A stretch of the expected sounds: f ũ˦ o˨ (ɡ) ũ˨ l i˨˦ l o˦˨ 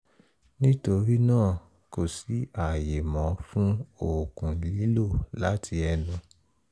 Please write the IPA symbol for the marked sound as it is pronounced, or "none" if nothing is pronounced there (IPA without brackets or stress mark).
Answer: k